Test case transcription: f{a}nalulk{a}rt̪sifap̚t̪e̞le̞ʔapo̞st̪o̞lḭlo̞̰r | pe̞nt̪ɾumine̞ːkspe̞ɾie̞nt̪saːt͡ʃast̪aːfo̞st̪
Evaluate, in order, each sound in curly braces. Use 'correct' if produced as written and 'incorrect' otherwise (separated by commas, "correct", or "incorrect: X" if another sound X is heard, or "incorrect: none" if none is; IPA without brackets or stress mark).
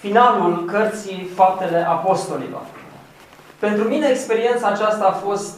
incorrect: i, incorrect: ə